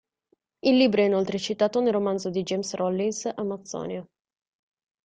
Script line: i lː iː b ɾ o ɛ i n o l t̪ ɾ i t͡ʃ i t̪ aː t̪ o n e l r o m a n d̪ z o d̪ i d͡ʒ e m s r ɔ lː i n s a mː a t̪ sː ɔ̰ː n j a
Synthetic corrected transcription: i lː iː b ɾ o ɛ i n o l t̪ ɾ e t͡ʃ i t̪ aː t̪ o n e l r o m a n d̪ z o d̪ i d͡ʒ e m s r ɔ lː i n s a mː a t̪ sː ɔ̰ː n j a